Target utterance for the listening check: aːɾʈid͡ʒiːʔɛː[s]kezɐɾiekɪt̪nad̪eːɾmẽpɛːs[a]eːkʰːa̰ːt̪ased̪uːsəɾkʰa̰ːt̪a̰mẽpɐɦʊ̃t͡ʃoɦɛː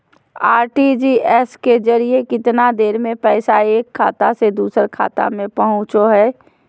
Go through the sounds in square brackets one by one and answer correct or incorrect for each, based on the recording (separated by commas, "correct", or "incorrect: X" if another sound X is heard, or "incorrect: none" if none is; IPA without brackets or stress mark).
correct, correct